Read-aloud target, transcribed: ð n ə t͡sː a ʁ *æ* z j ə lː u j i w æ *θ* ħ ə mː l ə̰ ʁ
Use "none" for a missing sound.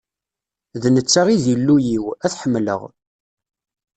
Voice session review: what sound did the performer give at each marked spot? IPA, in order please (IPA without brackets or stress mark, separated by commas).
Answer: i, θ